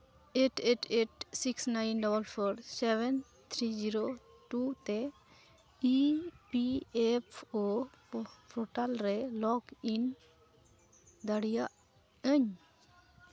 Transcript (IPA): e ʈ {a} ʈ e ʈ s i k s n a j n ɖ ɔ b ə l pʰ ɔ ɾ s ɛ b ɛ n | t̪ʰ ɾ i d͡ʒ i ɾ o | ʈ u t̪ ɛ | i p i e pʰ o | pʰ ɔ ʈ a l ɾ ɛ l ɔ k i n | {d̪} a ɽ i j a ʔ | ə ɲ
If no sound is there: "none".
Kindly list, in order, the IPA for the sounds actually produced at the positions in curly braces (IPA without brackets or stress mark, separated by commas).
e, d̪